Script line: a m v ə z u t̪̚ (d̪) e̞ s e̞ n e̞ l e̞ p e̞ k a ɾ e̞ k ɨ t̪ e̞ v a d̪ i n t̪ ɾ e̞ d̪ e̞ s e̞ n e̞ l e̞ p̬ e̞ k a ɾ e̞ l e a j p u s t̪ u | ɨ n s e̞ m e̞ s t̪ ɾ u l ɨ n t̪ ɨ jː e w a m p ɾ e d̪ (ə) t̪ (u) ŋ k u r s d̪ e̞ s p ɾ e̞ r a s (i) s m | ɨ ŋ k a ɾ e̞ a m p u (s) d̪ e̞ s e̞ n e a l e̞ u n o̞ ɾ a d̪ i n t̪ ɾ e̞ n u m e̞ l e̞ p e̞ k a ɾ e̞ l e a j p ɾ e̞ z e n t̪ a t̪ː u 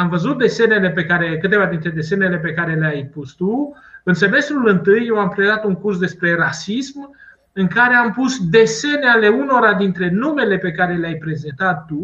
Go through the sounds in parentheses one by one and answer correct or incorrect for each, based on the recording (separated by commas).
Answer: correct, incorrect, correct, correct, correct